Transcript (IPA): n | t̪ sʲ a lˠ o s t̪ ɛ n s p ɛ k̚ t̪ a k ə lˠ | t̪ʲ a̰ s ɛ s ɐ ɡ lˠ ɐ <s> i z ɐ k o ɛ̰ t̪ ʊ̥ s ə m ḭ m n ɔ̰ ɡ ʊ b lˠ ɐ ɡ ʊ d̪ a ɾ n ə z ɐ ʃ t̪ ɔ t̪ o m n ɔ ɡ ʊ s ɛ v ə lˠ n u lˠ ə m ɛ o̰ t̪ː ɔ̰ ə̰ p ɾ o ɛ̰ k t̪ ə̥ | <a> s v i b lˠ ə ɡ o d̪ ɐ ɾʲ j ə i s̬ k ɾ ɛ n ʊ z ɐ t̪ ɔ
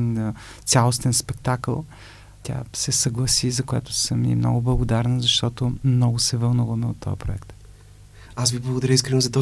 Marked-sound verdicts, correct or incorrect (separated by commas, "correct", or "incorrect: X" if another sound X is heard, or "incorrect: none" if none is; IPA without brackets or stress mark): correct, correct